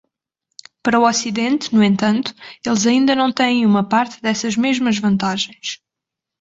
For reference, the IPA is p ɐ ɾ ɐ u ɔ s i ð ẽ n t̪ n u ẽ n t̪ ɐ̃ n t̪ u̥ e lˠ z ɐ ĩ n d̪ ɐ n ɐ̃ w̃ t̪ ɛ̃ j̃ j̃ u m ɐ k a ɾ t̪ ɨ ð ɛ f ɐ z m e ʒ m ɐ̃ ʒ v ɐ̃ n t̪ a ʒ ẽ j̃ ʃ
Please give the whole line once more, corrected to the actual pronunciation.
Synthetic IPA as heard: p ɐ ɾ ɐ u ɔ s i ð ẽ n t̪ n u ẽ n t̪ ɐ̃ n t̪ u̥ e lˠ z ɐ ĩ n d̪ ɐ n ɐ̃ w̃ t̪ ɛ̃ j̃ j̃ u m ɐ p a ɾ t̪ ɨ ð ɛ s ɐ ʒ m e ʒ m ɐ ʒ v ɐ̃ n t̪ a ʒ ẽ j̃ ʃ